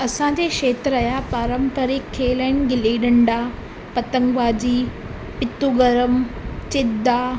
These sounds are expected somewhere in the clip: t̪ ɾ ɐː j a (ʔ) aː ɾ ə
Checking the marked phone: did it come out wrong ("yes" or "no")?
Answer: yes